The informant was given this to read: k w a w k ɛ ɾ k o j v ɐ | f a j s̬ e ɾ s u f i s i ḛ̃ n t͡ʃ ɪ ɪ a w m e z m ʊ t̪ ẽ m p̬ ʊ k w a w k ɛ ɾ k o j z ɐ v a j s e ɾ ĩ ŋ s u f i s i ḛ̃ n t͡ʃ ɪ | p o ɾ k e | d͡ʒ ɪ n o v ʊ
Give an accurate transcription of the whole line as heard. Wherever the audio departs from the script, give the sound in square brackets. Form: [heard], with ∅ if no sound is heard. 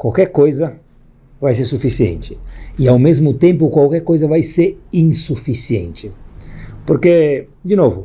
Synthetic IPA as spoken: k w a w k ɛ ɾ k o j [z] ɐ | [v] a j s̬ e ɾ s u f i s i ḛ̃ n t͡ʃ ɪ ɪ a w m e z m ʊ t̪ ẽ m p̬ ʊ k w a w k ɛ ɾ k o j z ɐ v a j s e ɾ ĩ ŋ s u f i s i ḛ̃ n t͡ʃ ɪ | p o ɾ k e | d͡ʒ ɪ n o v ʊ

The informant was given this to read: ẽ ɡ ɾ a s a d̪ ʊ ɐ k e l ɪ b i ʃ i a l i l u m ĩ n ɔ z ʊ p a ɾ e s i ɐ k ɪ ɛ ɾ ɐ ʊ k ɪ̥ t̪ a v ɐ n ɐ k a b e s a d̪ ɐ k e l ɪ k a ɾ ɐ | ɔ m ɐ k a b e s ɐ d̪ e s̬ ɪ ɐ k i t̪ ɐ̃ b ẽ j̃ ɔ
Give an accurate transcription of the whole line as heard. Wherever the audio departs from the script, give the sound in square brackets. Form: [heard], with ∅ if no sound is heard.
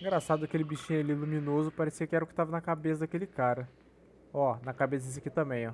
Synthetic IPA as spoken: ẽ ɡ ɾ a s a d̪ ʊ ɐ k e l ɪ b i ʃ [ĩ] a l i l u m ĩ n [o] z ʊ p a ɾ e s i ɐ k ɪ ɛ ɾ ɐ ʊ k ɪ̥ t̪ a v ɐ n ɐ k a b e s [ɐ] d̪ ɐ k e l ɪ k a ɾ ɐ | ɔ [n] ɐ k a b e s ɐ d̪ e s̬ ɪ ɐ k i t̪ ɐ̃ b ẽ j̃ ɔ

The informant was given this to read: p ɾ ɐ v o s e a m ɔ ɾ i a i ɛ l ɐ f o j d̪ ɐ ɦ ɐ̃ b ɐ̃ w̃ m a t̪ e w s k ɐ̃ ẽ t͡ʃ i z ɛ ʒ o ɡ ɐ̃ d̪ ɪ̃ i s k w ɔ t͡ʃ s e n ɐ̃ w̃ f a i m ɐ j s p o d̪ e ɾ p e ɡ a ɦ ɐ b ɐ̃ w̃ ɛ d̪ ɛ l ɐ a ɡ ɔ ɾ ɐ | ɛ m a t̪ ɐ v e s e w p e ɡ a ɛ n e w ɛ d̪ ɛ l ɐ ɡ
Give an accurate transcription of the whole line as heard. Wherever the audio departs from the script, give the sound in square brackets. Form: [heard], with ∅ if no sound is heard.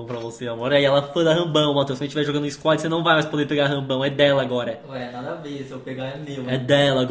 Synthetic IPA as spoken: p ɾ ɐ v o s e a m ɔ ɾ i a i ɛ l ɐ f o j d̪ ɐ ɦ ɐ̃ b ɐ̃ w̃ m a t̪ e w s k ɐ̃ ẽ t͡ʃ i [v] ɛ ʒ o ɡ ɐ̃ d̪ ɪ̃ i s k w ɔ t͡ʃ s e n ɐ̃ w̃ [v] a [j] m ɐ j s p o d̪ e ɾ p e ɡ a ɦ [ɐ̃] b ɐ̃ w̃ ɛ d̪ ɛ l ɐ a ɡ ɔ ɾ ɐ | ɛ [n] a [d̪] ɐ v e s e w p e ɡ a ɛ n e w ɛ d̪ ɛ l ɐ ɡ

